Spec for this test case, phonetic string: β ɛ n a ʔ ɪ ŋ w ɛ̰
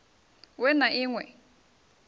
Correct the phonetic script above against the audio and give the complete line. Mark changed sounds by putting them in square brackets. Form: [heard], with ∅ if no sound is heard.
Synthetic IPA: [w] ɛ n a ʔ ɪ ŋ w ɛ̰